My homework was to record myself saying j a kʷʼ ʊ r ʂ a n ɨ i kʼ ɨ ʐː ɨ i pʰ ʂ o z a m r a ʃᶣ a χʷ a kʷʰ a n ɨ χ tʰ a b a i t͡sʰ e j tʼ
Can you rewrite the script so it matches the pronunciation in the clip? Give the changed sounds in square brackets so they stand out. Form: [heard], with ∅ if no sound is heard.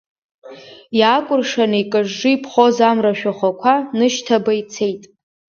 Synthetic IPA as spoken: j a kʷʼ ʊ r ʂ a n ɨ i kʼ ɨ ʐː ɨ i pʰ [χ] o z a m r a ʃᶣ a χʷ a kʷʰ a n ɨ [ʃ] tʰ a b a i t͡sʰ e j tʼ